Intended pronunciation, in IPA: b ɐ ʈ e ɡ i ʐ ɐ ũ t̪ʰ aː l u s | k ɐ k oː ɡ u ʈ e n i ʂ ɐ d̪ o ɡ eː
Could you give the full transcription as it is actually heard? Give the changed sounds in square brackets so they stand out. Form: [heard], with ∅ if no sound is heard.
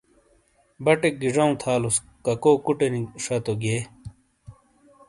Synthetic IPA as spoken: b ɐ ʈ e ɡ i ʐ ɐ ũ t̪ʰ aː l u s | k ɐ k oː [k] u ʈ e n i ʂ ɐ [t̪] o ɡ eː